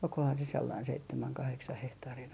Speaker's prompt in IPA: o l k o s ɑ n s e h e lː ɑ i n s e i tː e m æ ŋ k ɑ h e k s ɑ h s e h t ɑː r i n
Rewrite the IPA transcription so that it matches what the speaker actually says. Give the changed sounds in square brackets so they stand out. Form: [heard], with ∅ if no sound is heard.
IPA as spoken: o l k o [h] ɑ n s e [s] e lː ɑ i n s e i tː e m æ ŋ k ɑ h e k s ɑ h [h] e h t ɑː r i n